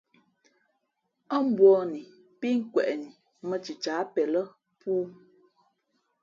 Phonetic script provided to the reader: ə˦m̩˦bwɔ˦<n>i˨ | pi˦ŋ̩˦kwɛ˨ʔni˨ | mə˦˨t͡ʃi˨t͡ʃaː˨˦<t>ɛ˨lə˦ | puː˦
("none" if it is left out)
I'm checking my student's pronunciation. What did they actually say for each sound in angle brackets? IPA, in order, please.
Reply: n, p

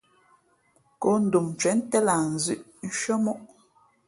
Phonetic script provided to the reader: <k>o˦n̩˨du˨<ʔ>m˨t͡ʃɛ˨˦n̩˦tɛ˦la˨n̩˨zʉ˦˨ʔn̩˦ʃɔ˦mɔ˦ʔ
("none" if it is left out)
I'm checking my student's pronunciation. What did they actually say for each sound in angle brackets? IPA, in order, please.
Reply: k, none

